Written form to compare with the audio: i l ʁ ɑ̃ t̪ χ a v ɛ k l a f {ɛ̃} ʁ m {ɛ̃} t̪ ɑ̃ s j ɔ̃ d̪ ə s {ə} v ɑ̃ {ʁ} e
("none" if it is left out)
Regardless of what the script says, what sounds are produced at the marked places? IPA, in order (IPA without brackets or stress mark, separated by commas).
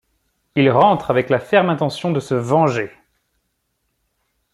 ɛ, ɛ̃, ə, ʒ